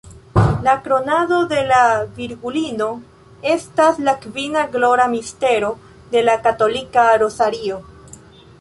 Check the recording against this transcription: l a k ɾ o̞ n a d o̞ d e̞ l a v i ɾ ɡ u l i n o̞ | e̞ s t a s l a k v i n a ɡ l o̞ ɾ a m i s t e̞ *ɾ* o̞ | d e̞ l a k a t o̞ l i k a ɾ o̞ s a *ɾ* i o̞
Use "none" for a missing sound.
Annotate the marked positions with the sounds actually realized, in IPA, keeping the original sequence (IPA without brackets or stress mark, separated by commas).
ɾ, ɾ